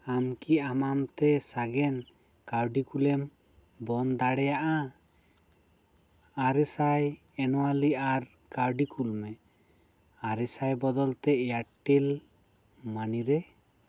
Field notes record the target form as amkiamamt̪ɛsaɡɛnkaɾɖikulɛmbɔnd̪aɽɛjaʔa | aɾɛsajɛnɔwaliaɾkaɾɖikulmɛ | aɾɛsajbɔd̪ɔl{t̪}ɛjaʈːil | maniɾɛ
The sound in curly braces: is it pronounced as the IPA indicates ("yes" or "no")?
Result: yes